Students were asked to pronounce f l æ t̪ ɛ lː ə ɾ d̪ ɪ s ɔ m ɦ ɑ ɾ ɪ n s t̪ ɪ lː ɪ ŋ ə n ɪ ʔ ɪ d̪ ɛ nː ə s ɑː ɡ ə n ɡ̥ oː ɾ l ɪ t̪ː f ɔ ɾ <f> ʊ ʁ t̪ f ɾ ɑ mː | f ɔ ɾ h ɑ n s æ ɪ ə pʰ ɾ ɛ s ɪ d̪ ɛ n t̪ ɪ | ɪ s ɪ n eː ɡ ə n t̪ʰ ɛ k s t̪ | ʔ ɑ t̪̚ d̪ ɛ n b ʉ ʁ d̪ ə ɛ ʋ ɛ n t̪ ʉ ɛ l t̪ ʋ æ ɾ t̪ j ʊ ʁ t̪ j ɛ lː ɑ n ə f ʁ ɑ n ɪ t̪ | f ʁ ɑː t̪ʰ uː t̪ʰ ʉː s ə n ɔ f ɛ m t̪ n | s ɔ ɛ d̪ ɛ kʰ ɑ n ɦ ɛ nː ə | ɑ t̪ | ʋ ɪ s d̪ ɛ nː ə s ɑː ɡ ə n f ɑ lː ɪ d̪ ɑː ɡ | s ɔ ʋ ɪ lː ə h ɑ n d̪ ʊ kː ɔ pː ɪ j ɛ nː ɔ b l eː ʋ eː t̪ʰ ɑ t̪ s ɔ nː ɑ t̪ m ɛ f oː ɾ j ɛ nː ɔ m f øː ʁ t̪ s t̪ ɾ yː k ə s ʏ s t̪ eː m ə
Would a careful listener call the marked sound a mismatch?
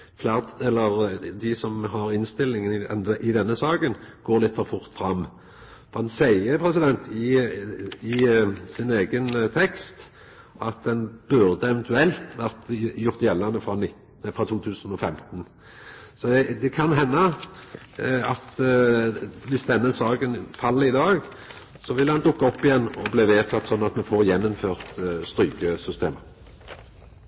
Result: no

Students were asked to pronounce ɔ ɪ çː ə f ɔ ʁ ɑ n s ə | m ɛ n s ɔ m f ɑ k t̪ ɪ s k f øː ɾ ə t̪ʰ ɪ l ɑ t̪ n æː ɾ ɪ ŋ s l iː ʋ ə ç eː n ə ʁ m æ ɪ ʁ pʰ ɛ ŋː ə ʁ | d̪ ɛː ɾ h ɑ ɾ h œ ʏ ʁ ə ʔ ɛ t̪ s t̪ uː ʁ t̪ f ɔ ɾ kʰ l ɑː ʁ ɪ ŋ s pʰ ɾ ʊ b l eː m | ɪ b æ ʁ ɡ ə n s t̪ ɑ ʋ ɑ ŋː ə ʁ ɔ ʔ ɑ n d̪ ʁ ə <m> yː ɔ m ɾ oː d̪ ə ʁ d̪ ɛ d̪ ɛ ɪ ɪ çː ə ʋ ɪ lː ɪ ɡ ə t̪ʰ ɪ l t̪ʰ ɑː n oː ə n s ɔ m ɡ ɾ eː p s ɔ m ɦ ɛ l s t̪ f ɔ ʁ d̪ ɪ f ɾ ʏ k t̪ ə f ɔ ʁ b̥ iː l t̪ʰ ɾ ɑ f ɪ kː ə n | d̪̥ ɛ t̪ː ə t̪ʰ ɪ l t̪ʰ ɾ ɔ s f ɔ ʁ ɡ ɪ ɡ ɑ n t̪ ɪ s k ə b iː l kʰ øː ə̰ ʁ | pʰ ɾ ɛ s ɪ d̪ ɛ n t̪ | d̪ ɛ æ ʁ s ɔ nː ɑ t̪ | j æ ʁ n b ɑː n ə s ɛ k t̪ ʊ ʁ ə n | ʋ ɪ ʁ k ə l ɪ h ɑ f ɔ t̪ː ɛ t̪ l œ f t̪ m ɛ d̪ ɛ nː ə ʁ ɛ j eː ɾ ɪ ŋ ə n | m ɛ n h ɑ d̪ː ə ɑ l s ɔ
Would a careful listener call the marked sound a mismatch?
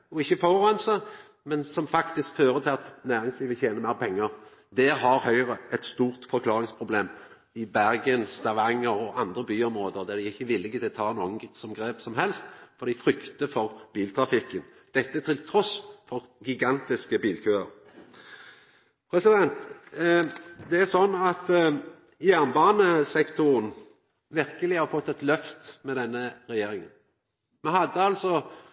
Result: yes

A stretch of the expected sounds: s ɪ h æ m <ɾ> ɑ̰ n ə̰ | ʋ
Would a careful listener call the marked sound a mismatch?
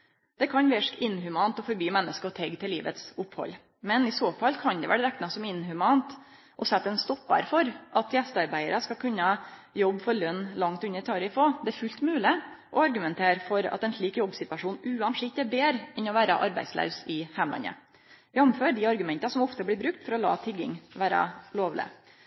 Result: yes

